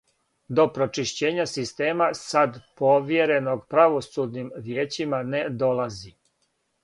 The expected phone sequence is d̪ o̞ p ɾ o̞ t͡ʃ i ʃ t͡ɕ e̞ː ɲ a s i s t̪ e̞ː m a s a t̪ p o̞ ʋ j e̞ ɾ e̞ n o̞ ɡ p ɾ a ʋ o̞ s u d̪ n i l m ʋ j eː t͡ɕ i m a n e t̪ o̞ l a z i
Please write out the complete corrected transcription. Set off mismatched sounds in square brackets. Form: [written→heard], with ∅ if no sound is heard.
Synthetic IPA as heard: d̪ o̞ p ɾ o̞ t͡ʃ i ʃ t͡ɕ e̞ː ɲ a s i s t̪ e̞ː m a s a [t̪→d̪] p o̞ ʋ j e̞ ɾ e̞ n o̞ ɡ p ɾ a ʋ o̞ s u d̪ n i [l→∅] m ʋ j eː t͡ɕ i m a n e [t̪→d̪] o̞ l a z i